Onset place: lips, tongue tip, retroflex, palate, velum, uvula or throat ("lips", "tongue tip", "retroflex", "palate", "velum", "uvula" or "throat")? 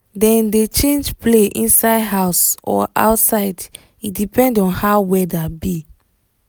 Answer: tongue tip